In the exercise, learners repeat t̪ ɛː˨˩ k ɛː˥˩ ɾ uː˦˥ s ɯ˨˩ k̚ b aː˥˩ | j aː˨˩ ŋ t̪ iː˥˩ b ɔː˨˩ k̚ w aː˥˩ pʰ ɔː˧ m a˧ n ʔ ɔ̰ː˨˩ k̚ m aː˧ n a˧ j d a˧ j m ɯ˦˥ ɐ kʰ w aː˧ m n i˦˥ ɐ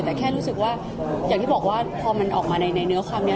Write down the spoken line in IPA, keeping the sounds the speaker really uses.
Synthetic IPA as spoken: t̪ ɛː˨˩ kʰ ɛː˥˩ ɾ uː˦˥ s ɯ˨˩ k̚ w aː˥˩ | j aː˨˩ ŋ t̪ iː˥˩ b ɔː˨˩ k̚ w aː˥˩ pʰ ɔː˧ m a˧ n ʔ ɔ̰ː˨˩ k̚ m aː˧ n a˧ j n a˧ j n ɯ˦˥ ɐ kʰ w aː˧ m n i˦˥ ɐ